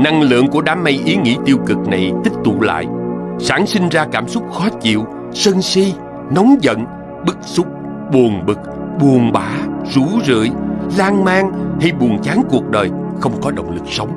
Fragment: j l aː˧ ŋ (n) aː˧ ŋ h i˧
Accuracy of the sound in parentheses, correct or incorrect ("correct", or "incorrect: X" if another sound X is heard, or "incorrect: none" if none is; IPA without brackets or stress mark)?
incorrect: m